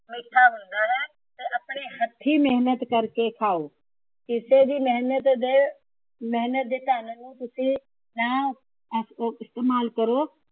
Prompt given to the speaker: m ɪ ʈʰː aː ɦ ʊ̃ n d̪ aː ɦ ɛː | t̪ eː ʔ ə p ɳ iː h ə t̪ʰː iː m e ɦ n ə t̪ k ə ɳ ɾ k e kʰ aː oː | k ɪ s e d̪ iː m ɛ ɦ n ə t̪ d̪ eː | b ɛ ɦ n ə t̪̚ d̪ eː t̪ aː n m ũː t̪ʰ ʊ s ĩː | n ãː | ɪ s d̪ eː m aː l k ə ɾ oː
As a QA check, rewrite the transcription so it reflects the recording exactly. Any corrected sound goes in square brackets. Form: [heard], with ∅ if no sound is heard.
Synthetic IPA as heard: m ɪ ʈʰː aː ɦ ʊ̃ n d̪ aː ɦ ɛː | t̪ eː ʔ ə p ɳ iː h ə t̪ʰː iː m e ɦ n ə t̪ k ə [∅] ɾ k e kʰ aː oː | k ɪ s e d̪ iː m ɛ ɦ n ə t̪ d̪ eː | [m] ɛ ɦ n ə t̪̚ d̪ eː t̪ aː n [n] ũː [t̪] ʊ s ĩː | n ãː | ɪ s [t̪] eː m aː l k ə ɾ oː